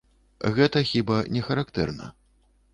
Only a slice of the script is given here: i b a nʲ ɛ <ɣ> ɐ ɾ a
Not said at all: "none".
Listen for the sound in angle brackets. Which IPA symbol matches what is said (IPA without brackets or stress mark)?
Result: x